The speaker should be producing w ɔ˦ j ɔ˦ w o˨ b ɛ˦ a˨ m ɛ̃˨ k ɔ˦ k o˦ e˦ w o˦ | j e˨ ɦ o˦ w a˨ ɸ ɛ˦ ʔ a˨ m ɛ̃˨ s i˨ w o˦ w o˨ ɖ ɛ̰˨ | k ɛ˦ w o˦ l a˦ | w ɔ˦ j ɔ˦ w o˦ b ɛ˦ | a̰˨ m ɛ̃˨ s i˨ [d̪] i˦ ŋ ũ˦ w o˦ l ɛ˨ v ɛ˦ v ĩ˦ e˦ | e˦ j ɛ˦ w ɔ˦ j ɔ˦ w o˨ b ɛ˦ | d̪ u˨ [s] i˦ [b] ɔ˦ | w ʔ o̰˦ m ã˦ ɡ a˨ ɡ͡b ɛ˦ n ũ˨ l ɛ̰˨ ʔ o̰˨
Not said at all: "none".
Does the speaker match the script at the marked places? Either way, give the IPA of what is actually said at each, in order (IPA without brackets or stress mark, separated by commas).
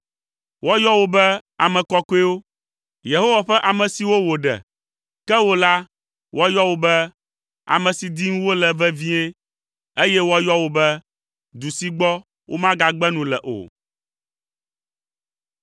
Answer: d̪, s, ɡ͡b